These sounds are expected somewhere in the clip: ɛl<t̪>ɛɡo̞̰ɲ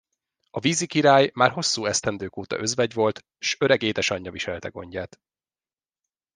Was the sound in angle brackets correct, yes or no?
yes